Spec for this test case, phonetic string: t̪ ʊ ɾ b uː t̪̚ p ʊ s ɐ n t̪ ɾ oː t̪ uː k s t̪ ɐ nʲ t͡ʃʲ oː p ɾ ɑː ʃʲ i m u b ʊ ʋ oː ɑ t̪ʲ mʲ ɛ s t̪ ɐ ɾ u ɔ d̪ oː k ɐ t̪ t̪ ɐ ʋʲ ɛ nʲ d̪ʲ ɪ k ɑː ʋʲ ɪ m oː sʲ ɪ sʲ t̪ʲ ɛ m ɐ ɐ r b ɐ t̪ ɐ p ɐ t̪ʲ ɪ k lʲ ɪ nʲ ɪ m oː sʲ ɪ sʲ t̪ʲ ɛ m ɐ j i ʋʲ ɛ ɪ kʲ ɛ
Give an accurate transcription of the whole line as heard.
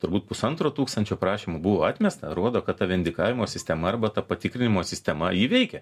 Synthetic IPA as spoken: t̪ ʊ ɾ b uː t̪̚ p ʊ s ɐ n t̪ ɾ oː t̪ uː k s t̪ ɐ nʲ t͡ʃʲ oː p ɾ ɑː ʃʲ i m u b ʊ ʋ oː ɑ t̪ʲ mʲ ɛ s t̪ ɐ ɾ u ɔ d̪ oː k ɐ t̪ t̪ ɐ ʋʲ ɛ nʲ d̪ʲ ɪ k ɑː ʋʲ ɪ m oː sʲ ɪ sʲ t̪ʲ ɛ m ɐ ɐ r b ɐ t̪ ɐ p ɐ t̪ʲ ɪ k ɾʲ ɪ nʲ ɪ m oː sʲ ɪ sʲ t̪ʲ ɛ m ɐ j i ʋʲ ɛ ɪ kʲ ɛ